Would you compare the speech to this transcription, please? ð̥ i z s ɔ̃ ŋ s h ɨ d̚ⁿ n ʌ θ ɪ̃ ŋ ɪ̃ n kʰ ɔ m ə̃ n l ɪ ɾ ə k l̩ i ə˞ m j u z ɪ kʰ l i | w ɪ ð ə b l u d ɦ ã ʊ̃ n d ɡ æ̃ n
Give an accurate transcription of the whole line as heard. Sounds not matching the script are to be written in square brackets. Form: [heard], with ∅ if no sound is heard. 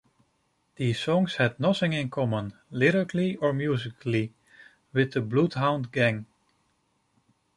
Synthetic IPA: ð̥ i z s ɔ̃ ŋ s h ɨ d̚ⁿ n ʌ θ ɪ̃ ŋ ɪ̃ n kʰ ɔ m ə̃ n l ɪ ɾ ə k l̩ i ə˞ m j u z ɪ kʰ l i | w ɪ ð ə b l u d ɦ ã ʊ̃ n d ɡ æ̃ [ŋ]